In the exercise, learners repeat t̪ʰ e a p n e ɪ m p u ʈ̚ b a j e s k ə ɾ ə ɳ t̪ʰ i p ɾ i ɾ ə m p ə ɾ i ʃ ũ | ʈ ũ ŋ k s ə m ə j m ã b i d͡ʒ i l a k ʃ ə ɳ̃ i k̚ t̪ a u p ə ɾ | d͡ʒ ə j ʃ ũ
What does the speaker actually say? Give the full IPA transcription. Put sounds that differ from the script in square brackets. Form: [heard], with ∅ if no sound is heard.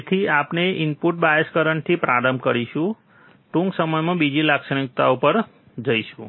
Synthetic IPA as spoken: t̪ʰ [i] a p n e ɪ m p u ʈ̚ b a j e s k ə ɾ ə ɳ t̪ʰ i p ɾ [a] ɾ ə m [k] ə ɾ i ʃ ũ | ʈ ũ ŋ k s ə m ə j m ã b i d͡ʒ i l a k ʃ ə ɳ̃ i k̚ t̪ a u p ə ɾ | d͡ʒ ə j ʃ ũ